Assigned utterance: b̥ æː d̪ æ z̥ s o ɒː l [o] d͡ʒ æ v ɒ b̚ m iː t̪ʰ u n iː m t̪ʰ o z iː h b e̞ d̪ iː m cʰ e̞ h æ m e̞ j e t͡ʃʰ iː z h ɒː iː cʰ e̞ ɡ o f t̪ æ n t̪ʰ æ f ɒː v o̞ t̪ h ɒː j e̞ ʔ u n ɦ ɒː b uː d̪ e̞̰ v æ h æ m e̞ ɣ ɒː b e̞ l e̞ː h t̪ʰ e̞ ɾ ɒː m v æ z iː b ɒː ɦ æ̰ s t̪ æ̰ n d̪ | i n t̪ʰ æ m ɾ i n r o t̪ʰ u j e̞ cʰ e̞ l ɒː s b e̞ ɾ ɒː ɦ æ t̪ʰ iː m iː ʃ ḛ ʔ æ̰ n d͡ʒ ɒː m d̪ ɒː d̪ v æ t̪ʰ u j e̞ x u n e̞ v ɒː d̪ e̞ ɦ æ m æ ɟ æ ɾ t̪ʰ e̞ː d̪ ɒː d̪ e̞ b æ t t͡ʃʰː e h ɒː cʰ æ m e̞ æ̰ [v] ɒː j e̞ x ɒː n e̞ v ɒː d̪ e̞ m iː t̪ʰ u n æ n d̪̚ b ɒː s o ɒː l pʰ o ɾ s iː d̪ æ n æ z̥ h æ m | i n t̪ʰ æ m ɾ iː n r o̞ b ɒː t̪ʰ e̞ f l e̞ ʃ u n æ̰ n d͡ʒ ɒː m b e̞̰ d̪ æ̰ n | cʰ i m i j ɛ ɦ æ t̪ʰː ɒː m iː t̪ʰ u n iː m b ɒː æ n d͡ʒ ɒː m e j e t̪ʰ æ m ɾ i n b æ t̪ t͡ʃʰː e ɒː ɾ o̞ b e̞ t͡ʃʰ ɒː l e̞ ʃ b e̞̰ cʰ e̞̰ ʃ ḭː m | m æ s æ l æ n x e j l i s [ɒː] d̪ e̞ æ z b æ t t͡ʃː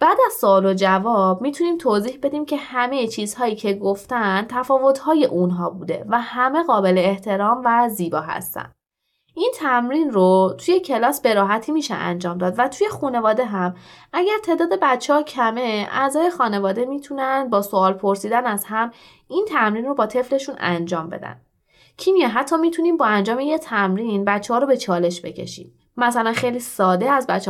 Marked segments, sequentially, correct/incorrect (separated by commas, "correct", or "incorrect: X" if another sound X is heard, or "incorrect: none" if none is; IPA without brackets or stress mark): correct, incorrect: z, correct